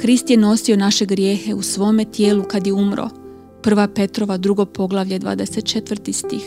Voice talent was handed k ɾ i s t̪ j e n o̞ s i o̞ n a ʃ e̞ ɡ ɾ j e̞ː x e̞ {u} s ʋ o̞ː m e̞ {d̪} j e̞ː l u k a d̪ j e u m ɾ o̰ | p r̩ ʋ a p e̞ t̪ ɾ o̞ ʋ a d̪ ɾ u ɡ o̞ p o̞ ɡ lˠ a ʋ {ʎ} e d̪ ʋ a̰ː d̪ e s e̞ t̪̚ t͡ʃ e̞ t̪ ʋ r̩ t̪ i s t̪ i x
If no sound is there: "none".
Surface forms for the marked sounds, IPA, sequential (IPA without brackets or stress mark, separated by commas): u, t̪, ʎ